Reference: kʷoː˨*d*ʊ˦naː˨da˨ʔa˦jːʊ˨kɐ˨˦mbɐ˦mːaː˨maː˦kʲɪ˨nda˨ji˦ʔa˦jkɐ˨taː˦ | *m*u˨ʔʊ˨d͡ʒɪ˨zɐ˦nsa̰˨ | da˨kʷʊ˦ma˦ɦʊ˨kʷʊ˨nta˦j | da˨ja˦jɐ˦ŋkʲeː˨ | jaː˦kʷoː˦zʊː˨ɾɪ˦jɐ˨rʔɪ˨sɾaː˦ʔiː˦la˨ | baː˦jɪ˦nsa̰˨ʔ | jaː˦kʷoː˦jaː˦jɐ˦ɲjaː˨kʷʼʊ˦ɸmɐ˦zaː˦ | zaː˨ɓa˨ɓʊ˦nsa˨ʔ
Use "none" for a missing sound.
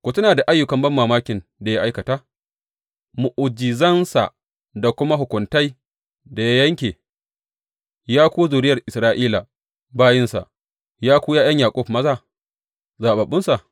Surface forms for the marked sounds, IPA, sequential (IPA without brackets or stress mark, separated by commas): t, m